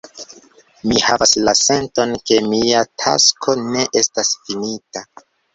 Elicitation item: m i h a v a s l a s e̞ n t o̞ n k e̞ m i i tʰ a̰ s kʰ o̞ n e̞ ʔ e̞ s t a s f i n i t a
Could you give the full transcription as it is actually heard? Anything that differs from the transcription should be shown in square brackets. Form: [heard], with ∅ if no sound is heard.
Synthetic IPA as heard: m i h a v a s l a s e̞ n t o̞ n k e̞ m i [a] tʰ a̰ s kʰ o̞ n e̞ ʔ e̞ s t a s f i n i t a